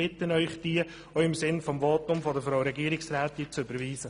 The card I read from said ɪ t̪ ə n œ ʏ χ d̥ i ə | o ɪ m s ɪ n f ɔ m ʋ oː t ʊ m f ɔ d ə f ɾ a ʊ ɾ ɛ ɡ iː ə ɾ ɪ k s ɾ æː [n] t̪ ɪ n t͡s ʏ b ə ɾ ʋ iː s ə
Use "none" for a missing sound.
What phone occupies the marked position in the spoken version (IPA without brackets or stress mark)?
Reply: none